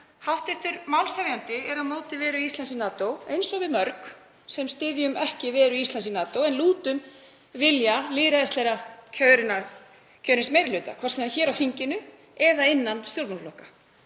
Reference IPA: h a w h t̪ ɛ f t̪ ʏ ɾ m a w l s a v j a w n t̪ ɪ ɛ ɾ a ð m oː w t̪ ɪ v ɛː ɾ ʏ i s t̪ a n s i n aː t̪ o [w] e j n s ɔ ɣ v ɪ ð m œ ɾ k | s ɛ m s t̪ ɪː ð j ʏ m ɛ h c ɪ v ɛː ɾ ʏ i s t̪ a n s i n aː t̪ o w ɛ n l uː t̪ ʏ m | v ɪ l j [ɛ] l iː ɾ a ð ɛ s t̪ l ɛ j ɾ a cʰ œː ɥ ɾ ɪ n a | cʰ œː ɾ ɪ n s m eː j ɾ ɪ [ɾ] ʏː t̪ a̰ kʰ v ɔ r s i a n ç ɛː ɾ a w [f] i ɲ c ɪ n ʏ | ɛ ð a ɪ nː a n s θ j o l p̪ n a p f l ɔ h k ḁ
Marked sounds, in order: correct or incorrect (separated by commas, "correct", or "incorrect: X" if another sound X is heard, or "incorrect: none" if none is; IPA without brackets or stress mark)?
correct, incorrect: a, incorrect: l, incorrect: θ